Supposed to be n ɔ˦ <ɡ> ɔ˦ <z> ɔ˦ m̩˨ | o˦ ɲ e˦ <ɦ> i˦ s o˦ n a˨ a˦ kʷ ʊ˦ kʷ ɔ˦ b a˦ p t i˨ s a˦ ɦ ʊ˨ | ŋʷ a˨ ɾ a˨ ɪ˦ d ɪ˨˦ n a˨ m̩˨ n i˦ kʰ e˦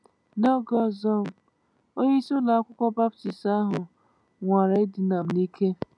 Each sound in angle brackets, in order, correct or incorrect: correct, correct, incorrect: none

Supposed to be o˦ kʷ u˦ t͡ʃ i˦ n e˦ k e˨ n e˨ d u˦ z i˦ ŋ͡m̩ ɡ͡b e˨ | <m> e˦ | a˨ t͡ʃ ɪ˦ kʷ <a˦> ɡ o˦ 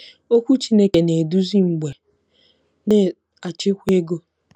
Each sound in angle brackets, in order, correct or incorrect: incorrect: n, incorrect: e˦

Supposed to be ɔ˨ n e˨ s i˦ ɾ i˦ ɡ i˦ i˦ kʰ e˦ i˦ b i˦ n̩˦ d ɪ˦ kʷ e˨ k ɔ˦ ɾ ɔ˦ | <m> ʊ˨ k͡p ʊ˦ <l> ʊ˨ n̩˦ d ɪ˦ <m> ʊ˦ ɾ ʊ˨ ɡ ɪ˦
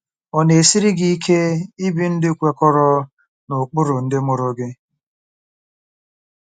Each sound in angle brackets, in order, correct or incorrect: incorrect: n, incorrect: ɾ, correct

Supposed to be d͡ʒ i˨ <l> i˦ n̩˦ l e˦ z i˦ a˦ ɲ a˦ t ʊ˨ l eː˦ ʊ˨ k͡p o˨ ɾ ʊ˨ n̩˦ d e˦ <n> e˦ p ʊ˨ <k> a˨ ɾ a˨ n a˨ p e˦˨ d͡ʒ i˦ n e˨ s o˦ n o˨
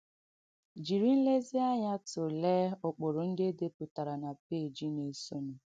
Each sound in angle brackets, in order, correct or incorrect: incorrect: ɾ, incorrect: d, incorrect: t

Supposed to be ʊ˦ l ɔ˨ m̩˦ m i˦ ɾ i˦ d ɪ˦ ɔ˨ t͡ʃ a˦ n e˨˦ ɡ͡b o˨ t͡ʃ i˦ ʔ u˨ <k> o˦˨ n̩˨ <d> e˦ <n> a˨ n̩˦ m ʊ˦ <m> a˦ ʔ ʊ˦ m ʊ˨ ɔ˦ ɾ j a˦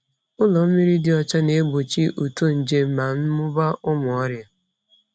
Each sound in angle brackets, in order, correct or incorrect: incorrect: t, incorrect: d͡ʒ, incorrect: m, incorrect: b

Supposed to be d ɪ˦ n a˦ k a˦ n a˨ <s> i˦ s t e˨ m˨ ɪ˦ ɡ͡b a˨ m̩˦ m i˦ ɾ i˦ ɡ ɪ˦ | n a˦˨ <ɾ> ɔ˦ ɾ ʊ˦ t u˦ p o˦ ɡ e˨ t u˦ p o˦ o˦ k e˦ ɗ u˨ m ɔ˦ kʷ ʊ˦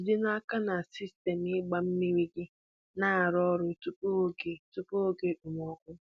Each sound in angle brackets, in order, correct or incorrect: correct, correct

